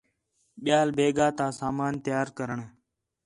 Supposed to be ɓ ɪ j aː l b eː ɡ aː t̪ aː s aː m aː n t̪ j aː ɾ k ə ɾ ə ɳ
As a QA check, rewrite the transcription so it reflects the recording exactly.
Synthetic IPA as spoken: ɓ ɪ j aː l b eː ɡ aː t̪ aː s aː m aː n t̪ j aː ɾ k ə ɾ ə ɳ